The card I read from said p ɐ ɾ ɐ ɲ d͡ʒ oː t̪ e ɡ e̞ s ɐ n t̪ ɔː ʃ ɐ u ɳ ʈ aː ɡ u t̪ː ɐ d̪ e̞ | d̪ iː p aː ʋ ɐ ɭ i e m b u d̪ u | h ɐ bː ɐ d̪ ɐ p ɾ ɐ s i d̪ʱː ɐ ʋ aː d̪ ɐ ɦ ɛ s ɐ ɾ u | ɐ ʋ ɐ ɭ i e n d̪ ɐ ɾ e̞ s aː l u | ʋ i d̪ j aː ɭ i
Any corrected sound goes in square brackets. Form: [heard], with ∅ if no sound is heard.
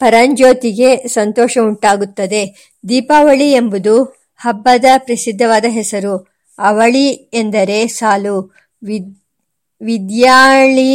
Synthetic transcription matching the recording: p ɐ ɾ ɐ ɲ d͡ʒ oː t̪ [i] ɡ e̞ s ɐ n t̪ ɔː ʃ ɐ u ɳ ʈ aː ɡ u t̪ː ɐ d̪ e̞ | d̪ iː p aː ʋ ɐ ɭ i e m b u d̪ u | h ɐ bː ɐ d̪ ɐ p ɾ ɐ s i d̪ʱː ɐ ʋ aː d̪ ɐ ɦ ɛ s ɐ ɾ u | ɐ ʋ ɐ ɭ i e n d̪ ɐ ɾ e̞ s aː l u | ʋ i d̪ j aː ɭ i